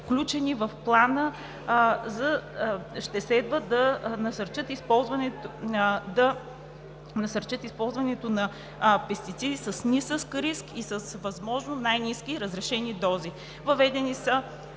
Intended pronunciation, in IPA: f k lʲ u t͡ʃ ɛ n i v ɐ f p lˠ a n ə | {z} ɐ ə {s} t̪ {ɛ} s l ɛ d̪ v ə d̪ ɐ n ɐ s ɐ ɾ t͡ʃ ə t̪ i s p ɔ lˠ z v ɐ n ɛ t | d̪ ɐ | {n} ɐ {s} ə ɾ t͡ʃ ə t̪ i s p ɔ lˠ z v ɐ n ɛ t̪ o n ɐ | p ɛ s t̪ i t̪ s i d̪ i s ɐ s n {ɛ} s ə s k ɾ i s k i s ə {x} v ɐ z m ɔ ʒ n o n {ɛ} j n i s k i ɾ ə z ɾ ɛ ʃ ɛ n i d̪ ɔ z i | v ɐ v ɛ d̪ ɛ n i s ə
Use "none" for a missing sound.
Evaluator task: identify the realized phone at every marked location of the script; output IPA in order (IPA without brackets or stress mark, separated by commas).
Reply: z, ʃ, ɛ, n, s, i, s, a